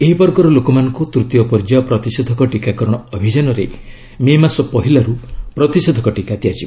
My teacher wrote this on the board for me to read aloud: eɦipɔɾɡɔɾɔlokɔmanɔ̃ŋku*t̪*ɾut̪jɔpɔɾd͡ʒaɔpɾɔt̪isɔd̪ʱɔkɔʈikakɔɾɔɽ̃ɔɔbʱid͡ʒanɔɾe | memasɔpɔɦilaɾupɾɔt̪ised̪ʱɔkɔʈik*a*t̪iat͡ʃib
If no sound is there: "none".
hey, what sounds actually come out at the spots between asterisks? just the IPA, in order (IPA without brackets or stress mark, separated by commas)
t̪, a